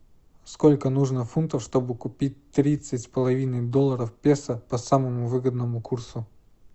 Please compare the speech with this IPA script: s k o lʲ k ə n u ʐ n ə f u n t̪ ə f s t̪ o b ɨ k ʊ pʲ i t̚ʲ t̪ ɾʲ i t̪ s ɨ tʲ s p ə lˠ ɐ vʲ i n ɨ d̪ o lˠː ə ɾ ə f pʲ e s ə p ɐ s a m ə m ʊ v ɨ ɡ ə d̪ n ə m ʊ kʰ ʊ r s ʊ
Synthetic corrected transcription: s k o lʲ k ə n u ʐ n ə f u n t̪ ə f ʂ t̪ o b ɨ k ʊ pʲ i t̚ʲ t̪ ɾʲ i t̪ s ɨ tʲ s p ə lˠ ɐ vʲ i n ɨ d̪ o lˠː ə ɾ ə f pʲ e s ə p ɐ s a m ə m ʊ v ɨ ɡ ə d̪ n ə m ʊ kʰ u r s ʊ